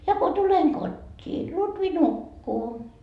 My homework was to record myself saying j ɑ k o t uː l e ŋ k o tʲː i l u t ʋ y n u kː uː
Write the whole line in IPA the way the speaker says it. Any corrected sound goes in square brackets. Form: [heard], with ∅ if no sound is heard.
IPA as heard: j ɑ k o t [u] l e ŋ k o tʲː [iː] l u t ʋ [i] n u kː uː